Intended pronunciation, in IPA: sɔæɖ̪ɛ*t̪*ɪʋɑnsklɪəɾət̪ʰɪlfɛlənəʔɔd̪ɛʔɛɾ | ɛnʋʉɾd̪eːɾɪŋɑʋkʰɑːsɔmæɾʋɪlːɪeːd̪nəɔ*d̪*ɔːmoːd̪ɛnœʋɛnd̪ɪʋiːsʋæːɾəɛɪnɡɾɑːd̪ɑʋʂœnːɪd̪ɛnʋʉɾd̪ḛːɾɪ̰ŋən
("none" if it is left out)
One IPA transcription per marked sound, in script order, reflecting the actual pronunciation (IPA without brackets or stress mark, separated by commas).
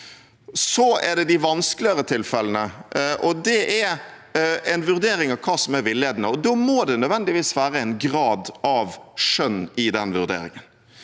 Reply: d̪, d̪